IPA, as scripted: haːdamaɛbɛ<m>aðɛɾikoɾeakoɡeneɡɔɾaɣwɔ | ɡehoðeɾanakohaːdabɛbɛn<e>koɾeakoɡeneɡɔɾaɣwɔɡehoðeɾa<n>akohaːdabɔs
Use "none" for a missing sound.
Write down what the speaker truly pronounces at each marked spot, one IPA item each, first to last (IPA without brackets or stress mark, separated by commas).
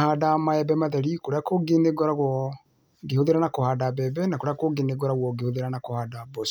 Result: m, a, n